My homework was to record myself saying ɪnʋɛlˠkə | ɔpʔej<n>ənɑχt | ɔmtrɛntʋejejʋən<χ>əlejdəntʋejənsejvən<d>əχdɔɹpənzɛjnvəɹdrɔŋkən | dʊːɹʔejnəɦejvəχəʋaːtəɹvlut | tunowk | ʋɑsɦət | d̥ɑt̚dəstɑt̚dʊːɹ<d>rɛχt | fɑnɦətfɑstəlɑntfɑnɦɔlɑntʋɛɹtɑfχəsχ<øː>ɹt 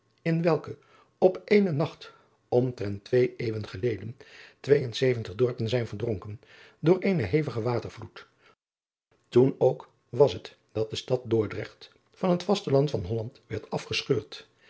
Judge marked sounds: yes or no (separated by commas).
yes, yes, no, yes, yes